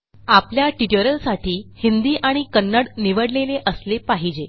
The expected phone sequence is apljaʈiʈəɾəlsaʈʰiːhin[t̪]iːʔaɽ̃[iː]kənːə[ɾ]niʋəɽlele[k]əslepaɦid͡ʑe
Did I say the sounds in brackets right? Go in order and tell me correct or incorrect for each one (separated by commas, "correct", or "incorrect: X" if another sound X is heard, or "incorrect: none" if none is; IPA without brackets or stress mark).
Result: incorrect: d̪, incorrect: i, incorrect: ɽ, incorrect: ʔ